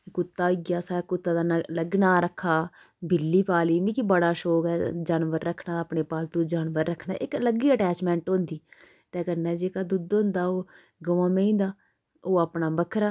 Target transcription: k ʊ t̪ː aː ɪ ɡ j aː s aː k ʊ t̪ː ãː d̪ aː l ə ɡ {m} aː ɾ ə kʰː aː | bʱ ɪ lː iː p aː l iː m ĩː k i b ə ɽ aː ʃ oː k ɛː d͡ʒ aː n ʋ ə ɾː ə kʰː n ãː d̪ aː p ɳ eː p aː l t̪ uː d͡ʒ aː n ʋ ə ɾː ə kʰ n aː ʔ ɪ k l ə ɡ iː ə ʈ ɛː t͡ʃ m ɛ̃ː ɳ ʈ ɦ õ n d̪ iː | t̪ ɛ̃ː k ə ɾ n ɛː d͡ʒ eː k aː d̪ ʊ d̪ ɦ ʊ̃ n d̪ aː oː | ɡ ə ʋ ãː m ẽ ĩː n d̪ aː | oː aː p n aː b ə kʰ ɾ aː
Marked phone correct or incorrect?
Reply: incorrect